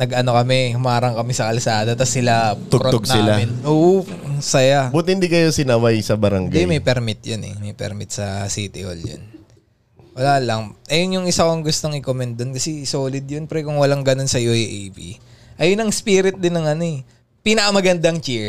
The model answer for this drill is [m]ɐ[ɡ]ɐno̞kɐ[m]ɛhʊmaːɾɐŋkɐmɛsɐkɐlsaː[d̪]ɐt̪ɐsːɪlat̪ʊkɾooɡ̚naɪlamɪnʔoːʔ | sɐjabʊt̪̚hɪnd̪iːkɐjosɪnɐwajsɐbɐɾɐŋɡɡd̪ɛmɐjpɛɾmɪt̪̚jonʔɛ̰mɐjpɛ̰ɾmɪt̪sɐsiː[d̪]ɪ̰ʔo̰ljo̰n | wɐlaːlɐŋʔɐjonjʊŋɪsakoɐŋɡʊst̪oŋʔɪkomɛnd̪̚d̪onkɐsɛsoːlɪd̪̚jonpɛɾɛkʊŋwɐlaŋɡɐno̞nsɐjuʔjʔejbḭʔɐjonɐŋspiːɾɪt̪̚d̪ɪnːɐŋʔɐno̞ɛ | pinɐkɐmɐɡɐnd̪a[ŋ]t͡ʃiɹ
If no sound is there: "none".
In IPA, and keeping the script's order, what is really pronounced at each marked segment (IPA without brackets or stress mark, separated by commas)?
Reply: n, ɡ, m, d̪, t̪, ŋ